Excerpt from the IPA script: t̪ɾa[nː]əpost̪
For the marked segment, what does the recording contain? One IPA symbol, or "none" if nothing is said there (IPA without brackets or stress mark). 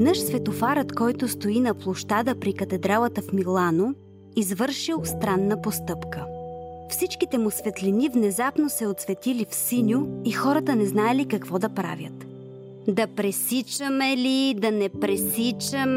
nː